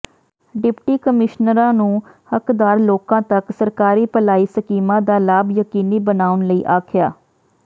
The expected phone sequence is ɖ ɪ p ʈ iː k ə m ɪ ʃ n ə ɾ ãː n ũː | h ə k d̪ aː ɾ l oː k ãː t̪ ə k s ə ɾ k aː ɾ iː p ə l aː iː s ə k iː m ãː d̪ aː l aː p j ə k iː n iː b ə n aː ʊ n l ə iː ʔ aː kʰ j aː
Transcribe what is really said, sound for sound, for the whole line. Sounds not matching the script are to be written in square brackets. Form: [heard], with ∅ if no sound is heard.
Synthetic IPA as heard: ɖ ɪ p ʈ iː k ə m ɪ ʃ n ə ɾ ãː n ũː | h ə k d̪ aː ɾ l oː k ãː t̪ ə k s ə ɾ k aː ɾ iː p ə l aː iː s ə k iː m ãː d̪ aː l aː [b] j ə k iː n iː b ə n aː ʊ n l ə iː ʔ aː kʰ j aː